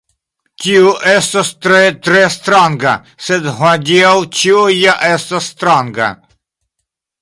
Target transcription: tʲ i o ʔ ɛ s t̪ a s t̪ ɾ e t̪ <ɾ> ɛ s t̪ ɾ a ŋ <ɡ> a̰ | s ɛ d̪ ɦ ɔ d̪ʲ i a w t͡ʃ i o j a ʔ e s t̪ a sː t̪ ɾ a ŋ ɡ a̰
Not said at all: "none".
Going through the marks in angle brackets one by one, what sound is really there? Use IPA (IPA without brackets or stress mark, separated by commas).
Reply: ɾ, ɡ